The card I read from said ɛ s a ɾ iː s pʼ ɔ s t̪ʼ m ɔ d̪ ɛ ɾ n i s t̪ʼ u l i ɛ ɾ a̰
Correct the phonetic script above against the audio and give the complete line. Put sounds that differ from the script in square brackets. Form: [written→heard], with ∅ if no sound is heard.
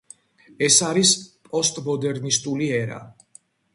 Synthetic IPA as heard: ɛ s a ɾ [iː→i] s pʼ ɔ s t̪ʼ m ɔ d̪ ɛ ɾ n i s t̪ʼ u l i ɛ ɾ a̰